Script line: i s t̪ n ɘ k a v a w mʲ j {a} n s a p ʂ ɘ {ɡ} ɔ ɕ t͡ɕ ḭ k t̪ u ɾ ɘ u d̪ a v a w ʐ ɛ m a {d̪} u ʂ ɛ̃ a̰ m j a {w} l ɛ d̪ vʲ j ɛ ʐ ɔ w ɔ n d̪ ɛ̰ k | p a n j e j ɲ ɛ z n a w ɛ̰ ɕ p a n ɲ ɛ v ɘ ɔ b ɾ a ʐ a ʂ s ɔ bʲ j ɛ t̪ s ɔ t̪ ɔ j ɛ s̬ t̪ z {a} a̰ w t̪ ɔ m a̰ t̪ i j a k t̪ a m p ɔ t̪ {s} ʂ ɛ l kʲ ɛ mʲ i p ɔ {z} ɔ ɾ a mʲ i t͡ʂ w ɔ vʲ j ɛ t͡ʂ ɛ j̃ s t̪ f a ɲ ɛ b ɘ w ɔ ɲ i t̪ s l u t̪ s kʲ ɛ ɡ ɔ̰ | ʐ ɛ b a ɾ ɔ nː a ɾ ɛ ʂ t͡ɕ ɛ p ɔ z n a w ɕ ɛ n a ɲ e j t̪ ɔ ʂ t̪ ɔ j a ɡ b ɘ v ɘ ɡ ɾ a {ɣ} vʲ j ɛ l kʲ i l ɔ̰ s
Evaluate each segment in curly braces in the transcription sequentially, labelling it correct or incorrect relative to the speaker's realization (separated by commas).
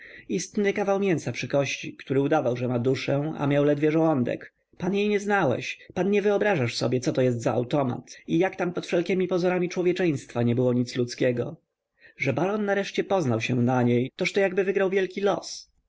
incorrect, incorrect, correct, correct, correct, incorrect, correct, incorrect